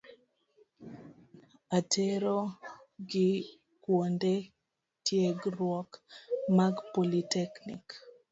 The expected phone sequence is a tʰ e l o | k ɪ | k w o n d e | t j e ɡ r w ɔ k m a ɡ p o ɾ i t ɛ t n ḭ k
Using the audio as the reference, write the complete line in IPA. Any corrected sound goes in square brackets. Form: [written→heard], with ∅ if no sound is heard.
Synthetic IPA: a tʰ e [l→ɾ] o | [k→ɡ] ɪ | k w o n d e | t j e ɡ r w ɔ k m a ɡ p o [ɾ→l] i t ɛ [t→k] n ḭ k